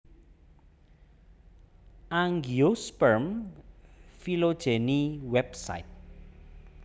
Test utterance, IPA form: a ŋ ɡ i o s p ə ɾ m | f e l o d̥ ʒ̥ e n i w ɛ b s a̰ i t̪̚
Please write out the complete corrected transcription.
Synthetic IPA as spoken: a ŋ ɡ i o s p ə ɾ m | f i l o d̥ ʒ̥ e n i w ɛ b s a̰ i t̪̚